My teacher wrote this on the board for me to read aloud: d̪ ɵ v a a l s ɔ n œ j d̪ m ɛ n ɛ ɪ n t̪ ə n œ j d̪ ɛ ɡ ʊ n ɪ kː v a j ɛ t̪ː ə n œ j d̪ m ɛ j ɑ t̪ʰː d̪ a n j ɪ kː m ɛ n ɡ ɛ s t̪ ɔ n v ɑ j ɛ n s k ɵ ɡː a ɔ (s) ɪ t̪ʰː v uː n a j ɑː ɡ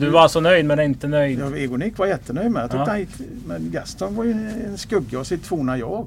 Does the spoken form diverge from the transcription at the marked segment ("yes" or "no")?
no